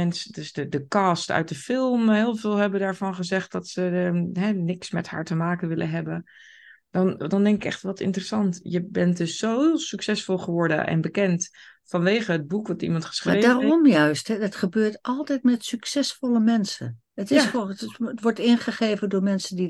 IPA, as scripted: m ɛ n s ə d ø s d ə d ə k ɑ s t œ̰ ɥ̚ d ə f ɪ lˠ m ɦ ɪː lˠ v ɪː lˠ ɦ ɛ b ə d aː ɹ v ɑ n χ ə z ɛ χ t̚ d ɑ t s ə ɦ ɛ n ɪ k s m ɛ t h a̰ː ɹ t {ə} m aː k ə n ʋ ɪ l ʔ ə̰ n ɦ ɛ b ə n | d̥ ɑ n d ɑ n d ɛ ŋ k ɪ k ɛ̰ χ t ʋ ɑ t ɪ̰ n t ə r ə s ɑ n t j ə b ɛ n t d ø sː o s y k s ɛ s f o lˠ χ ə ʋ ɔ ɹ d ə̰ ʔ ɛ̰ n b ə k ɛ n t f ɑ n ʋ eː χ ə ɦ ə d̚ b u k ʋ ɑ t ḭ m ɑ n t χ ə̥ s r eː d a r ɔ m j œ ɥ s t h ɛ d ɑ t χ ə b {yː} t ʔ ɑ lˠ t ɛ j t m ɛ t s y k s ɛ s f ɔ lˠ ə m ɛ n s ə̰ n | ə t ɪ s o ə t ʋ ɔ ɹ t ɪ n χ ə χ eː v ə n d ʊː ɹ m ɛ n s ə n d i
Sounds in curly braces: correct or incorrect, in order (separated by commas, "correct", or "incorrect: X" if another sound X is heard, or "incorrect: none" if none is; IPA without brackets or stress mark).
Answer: correct, incorrect: øː